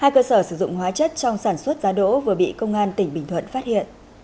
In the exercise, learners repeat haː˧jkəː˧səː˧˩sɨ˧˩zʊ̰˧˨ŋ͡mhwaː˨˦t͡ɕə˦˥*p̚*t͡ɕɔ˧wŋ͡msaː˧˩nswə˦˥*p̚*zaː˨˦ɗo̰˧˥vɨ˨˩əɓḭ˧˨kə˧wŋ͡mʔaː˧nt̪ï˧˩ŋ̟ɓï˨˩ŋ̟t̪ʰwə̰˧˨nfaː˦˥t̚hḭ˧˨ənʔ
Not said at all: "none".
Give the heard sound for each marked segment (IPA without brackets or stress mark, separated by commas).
t̚, t̚